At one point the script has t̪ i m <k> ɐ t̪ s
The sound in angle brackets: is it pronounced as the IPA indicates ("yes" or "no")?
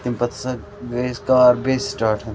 no